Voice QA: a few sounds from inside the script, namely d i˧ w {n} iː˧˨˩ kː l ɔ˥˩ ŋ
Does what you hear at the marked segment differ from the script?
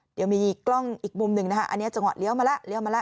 yes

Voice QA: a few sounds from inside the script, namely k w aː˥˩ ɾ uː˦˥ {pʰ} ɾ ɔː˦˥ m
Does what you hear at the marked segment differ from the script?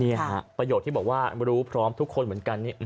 no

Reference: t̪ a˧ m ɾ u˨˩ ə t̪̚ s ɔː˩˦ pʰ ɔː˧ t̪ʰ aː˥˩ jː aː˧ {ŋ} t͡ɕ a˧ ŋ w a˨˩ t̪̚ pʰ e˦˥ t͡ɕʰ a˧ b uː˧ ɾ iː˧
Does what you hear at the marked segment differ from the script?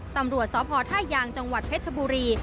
no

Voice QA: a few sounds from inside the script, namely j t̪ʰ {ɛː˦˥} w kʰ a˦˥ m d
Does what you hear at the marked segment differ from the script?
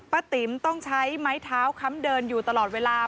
yes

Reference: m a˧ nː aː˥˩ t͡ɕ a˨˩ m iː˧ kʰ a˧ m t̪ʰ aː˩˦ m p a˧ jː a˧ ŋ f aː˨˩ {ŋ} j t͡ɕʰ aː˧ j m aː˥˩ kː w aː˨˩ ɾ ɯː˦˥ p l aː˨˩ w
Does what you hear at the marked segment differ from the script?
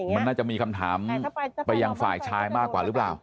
yes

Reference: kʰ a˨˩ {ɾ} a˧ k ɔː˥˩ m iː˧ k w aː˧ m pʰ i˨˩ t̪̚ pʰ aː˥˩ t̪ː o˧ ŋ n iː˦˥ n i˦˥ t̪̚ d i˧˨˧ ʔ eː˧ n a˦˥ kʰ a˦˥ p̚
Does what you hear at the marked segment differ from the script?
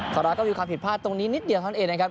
no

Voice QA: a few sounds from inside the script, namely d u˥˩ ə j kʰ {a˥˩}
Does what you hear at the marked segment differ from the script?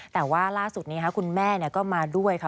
yes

